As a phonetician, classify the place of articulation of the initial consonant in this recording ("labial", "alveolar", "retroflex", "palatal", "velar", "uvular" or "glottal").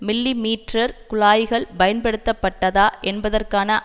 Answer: labial